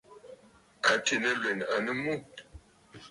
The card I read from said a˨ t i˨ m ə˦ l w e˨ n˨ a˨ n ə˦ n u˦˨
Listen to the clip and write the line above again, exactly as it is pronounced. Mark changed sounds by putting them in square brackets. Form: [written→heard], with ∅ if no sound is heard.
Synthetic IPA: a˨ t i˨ [m→n] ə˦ l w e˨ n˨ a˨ n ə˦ [n→m] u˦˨

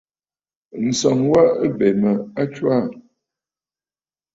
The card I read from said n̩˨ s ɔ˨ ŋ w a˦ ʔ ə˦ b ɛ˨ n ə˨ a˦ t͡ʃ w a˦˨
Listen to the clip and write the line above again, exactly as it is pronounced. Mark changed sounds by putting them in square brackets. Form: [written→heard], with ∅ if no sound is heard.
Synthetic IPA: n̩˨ s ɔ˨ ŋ w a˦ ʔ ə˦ b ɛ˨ [n→m] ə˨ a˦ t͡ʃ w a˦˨

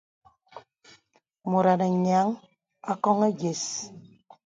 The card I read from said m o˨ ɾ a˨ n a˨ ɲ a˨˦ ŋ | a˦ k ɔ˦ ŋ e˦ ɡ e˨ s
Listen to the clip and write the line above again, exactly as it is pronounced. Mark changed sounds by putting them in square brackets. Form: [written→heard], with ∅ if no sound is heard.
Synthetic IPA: m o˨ ɾ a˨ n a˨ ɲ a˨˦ ŋ | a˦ k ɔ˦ ŋ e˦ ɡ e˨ s

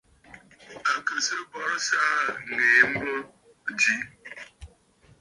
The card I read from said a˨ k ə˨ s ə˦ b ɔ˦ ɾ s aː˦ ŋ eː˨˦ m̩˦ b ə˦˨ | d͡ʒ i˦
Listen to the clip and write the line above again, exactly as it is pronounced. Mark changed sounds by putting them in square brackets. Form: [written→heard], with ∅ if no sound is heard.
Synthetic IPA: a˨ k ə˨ s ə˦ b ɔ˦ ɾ s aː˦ ŋ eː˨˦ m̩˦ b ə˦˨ | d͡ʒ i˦

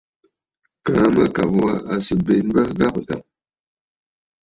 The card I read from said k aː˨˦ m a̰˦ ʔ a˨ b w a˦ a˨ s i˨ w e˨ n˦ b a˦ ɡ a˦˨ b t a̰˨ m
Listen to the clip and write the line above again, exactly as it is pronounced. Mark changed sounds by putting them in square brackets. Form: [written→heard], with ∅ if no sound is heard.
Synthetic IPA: k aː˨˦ m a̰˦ [ʔ→k] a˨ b w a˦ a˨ s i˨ [w→b] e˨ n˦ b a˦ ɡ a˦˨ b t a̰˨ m

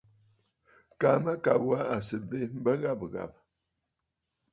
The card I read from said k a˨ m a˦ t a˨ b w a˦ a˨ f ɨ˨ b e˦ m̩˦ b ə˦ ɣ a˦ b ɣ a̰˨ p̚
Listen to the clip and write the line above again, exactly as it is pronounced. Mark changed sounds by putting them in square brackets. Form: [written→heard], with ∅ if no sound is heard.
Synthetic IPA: k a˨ m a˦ [t→k] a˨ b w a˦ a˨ [f→s] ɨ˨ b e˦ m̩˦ b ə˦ ɣ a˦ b ɣ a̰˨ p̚

